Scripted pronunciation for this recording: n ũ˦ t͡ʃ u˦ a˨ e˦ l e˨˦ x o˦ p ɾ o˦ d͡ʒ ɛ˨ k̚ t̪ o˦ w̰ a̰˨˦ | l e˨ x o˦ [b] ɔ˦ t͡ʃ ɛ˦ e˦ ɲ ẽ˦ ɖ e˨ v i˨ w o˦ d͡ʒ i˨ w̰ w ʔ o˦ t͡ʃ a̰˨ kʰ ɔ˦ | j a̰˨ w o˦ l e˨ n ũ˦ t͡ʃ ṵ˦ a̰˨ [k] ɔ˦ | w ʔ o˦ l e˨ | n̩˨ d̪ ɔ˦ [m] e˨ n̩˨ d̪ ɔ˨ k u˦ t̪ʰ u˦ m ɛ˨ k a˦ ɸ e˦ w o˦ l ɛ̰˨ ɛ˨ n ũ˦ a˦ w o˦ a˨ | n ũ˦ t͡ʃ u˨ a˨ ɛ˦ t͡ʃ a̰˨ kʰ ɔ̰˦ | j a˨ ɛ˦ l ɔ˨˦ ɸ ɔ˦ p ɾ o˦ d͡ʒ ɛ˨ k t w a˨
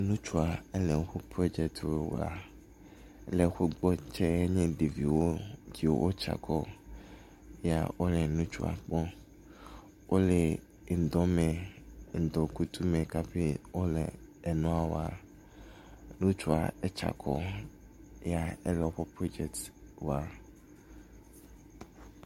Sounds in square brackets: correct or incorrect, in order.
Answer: incorrect: ɡ͡b, incorrect: k͡p, correct

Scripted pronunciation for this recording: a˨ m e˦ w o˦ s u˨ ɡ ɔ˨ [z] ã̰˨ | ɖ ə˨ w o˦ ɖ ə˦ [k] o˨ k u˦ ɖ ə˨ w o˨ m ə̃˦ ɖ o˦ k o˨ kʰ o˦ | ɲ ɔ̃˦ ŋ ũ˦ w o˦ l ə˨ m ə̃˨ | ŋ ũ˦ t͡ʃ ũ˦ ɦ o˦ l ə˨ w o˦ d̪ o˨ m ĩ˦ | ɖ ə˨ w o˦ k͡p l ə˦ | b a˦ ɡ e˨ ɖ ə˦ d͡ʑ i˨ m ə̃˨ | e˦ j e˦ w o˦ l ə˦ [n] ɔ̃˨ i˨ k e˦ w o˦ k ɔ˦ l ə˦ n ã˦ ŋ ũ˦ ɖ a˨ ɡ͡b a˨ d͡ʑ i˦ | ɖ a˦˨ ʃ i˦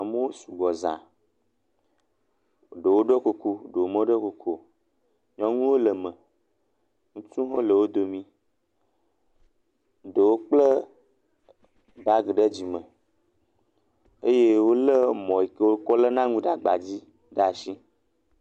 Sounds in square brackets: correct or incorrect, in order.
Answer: correct, correct, incorrect: m

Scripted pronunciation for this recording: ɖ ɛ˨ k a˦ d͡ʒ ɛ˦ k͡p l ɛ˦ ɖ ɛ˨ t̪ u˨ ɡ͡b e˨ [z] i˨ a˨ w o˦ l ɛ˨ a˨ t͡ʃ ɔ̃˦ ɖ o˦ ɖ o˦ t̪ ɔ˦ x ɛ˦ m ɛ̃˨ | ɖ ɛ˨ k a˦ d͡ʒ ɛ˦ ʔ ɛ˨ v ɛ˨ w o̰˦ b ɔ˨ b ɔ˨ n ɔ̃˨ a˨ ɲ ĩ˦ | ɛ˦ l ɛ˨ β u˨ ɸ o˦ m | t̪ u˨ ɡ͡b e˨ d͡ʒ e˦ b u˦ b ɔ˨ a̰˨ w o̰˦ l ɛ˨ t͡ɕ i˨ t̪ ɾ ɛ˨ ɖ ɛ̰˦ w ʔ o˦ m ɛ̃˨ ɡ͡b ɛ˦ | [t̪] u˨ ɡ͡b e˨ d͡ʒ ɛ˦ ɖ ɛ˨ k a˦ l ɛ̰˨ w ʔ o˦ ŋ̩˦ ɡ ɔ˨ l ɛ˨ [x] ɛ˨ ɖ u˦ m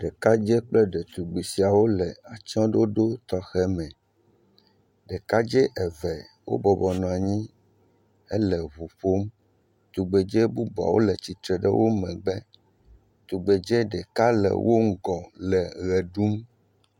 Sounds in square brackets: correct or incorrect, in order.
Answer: incorrect: s, correct, incorrect: ɣ

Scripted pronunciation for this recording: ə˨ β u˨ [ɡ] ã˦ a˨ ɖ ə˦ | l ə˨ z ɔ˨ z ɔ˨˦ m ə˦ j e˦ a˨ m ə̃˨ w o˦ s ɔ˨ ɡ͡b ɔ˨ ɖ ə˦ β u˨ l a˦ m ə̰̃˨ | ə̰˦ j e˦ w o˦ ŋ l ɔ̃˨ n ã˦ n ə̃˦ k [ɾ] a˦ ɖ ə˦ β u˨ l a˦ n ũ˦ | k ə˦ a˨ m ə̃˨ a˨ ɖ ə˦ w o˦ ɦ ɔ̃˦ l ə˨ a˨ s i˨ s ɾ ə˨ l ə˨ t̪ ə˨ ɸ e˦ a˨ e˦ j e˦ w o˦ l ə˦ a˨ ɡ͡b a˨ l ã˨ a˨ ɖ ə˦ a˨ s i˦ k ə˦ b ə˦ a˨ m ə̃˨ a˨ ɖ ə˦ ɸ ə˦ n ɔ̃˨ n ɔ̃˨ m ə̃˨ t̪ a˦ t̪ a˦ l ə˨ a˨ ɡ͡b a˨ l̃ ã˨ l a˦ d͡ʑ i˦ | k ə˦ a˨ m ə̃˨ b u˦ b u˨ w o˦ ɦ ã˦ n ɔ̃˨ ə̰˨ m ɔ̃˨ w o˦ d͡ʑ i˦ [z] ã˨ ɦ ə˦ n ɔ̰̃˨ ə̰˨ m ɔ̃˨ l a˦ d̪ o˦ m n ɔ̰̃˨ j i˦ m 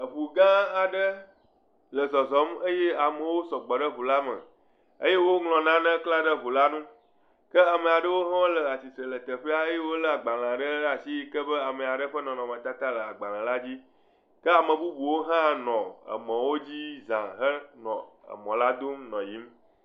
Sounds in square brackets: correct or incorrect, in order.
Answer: correct, incorrect: l, correct

